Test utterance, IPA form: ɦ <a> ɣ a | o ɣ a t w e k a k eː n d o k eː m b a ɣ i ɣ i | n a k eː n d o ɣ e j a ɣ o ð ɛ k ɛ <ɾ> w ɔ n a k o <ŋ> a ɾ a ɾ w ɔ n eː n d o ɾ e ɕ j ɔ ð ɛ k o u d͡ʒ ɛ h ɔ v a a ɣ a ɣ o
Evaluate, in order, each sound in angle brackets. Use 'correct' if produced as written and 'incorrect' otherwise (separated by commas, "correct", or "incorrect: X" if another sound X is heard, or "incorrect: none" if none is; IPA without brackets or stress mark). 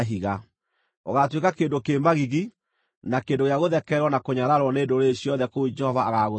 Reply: incorrect: i, correct, incorrect: ɲ